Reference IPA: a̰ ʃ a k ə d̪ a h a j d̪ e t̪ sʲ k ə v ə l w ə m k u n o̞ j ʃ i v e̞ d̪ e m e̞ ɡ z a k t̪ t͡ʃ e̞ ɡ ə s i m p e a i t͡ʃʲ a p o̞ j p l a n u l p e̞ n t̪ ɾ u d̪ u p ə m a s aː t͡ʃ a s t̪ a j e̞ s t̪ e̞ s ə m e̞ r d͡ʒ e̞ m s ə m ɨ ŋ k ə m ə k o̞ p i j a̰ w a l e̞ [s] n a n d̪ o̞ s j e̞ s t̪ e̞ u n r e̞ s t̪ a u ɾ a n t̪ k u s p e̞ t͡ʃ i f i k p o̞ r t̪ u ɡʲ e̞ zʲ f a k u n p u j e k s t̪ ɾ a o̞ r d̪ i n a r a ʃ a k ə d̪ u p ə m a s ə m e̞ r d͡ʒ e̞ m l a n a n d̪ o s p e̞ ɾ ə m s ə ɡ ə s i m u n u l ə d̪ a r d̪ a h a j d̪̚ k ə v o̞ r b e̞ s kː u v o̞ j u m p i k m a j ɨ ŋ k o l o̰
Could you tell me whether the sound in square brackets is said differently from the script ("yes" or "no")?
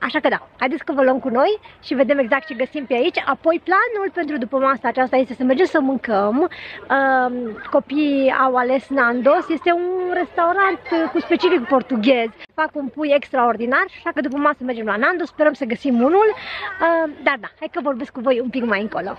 no